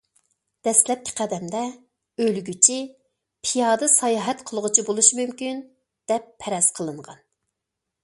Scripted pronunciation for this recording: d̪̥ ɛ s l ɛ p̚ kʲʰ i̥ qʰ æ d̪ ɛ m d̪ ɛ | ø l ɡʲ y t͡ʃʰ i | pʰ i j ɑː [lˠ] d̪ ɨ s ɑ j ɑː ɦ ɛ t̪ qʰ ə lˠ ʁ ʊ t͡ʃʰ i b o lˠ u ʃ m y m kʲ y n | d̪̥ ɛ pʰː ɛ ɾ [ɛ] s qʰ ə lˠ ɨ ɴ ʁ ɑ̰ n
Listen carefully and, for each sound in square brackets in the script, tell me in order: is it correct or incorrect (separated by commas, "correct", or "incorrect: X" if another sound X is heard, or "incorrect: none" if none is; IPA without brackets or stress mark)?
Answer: incorrect: none, correct